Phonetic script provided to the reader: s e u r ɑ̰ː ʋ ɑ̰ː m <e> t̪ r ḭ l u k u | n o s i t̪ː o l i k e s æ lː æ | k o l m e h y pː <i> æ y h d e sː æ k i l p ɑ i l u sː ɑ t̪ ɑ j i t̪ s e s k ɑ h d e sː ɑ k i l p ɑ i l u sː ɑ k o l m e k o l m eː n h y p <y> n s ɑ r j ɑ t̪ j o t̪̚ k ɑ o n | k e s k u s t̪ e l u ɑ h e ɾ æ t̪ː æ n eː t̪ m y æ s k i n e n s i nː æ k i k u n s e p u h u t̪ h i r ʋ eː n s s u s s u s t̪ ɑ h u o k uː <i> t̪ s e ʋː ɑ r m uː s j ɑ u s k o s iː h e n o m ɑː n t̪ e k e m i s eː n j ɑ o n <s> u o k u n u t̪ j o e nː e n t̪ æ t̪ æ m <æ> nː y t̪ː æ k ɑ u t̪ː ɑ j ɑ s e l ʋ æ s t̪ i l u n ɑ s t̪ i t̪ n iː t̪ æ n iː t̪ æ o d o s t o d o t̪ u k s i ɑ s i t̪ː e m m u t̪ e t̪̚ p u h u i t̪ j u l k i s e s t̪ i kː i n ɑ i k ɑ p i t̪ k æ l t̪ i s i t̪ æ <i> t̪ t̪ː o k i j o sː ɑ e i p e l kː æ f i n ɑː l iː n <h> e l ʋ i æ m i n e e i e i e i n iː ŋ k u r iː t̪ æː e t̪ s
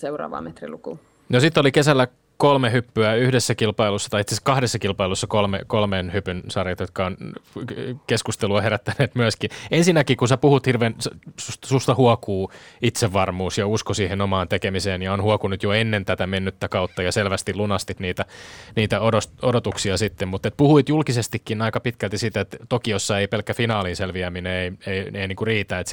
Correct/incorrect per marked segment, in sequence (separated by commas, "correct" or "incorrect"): correct, incorrect, correct, correct, incorrect, incorrect, incorrect, incorrect